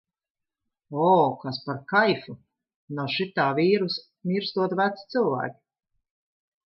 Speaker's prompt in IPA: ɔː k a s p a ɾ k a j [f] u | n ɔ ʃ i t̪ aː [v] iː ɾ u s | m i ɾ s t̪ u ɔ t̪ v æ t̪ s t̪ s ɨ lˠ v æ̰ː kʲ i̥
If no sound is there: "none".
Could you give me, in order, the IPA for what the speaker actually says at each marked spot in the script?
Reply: f, v

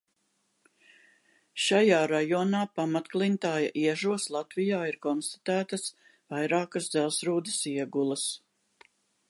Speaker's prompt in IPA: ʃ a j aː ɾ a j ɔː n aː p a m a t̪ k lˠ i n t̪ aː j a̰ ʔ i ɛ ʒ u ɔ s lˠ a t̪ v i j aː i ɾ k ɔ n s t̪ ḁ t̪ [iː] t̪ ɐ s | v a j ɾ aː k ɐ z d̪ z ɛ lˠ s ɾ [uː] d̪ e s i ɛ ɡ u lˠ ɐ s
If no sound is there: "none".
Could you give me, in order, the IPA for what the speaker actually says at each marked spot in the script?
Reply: æː, uː

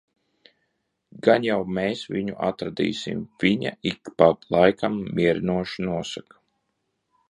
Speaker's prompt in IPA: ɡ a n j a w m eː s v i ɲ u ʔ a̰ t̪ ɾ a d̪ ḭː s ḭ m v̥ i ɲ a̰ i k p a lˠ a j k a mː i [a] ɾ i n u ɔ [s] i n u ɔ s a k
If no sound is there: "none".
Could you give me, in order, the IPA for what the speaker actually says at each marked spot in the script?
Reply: ɛ, ʃ

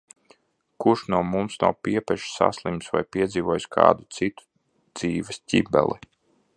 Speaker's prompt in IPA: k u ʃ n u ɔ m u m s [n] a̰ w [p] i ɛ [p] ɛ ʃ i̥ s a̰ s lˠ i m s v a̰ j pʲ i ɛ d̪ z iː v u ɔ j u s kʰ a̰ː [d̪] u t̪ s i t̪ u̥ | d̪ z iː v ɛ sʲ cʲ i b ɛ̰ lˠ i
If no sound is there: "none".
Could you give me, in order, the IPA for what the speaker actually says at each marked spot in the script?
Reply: n, p, p, d̪

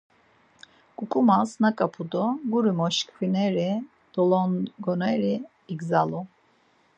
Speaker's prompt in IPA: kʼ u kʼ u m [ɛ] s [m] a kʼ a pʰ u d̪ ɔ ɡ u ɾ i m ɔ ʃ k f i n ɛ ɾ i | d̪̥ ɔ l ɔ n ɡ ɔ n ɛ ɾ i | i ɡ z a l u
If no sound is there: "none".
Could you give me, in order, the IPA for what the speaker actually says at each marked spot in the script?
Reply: a, n

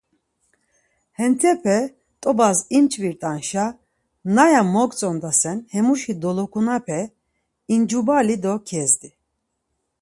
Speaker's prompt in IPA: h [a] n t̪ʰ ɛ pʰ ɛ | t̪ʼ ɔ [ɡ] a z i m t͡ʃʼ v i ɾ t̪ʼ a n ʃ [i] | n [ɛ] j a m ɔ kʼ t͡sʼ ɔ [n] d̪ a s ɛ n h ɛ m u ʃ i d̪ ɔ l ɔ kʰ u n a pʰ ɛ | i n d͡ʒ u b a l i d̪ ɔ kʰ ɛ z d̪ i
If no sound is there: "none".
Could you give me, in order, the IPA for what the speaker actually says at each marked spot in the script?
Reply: ɛ, b, a, a, n

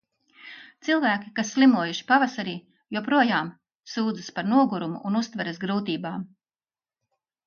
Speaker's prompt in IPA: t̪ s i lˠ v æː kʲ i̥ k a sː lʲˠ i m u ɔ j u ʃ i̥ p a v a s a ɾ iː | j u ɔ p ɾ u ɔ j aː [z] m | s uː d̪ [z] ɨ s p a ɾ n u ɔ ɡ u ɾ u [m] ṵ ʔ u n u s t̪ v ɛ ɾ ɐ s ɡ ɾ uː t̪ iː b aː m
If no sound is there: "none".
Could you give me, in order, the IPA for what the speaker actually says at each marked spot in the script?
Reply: none, z, m

